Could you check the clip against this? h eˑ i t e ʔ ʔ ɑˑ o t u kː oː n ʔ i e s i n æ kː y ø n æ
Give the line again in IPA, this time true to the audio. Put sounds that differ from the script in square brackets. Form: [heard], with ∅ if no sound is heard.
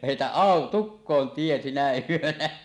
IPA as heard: h eˑ i t [æ] ʔ ʔ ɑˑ o t u kː oː n [t] i e s i n æ [∅] y ø n æ